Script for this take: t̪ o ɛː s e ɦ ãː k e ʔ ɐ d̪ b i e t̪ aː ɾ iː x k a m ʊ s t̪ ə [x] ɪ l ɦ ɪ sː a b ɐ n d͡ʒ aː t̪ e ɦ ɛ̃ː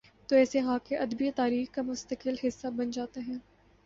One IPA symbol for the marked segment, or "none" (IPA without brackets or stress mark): k